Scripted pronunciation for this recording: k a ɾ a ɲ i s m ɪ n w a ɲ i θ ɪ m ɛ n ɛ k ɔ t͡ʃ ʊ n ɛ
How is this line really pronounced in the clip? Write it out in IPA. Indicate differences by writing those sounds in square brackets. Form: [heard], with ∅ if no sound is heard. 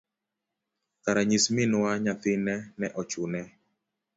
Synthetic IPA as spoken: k a ɾ a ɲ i s m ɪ n w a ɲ [a] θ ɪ [n] ɛ n ɛ [ʔ] ɔ t͡ʃ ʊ n ɛ